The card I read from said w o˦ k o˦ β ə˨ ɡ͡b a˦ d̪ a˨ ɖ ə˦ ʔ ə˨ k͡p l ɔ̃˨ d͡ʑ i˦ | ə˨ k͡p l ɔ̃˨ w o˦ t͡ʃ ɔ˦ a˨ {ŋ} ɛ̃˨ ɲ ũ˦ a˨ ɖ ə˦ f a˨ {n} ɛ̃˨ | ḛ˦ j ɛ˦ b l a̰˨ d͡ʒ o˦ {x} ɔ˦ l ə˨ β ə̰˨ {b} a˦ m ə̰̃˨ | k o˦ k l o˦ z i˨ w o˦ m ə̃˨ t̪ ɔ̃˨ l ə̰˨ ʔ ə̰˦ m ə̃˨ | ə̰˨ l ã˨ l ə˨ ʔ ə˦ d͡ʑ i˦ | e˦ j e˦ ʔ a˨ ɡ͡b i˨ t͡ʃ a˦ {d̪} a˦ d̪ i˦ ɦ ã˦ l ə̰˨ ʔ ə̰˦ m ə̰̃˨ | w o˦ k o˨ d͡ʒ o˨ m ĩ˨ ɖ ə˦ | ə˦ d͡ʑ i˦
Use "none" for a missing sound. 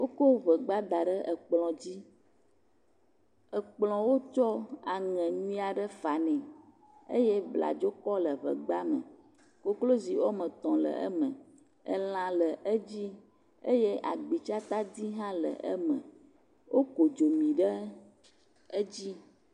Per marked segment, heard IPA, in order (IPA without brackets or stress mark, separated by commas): ŋ, n, k, ɡ͡b, t̪